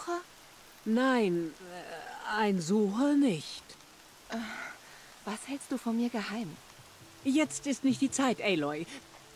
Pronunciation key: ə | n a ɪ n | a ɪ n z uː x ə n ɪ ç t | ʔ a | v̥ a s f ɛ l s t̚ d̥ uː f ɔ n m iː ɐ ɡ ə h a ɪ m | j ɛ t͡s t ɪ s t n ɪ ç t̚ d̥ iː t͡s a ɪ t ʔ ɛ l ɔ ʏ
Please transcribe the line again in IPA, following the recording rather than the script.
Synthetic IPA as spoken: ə | n a ɪ n | a ɪ n z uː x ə n ɪ ç t | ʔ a | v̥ a s h ɛ l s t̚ d̥ uː f ɔ n m iː ɐ ɡ ə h a ɪ m | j ɛ t͡s t ɪ s t n ɪ ç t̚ d̥ iː t͡s a ɪ t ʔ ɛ l ɔ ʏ